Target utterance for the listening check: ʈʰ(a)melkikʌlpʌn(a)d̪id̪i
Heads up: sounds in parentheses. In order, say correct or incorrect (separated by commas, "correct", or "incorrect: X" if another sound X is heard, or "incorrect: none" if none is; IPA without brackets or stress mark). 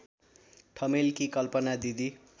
incorrect: ʌ, correct